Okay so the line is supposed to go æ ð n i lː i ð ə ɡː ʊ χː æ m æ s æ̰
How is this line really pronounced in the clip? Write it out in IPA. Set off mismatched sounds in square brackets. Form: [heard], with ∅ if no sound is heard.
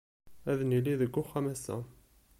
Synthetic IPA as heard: æ ð n i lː i ð ə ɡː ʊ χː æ m æ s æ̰